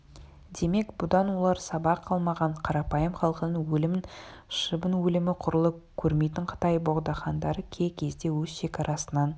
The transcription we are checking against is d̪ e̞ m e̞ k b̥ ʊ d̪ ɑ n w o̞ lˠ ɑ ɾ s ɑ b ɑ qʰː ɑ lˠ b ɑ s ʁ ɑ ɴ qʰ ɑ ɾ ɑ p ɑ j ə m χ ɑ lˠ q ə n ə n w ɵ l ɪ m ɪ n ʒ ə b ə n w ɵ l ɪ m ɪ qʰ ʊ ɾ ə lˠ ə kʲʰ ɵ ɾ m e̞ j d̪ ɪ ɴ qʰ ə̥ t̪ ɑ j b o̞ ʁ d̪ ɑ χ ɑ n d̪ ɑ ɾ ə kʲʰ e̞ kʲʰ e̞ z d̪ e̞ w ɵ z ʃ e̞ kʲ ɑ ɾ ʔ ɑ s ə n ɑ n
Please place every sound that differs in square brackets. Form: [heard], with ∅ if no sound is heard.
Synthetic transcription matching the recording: d̪ e̞ m e̞ k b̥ ʊ d̪ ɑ n w o̞ lˠ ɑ ɾ s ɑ b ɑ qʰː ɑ lˠ [m] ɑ [∅] ʁ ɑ ɴ qʰ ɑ ɾ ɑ p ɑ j ə m χ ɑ lˠ q ə n ə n w ɵ l ɪ m ɪ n [ʃ] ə b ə n w ɵ l ɪ m ɪ qʰ ʊ ɾ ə lˠ ə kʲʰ ɵ ɾ m e̞ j [t̪] ɪ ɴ qʰ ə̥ t̪ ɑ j b o̞ ʁ d̪ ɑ χ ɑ n d̪ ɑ ɾ ə kʲʰ e̞ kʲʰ e̞ z d̪ e̞ w ɵ z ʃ e̞ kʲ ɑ ɾ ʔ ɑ s ə n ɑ n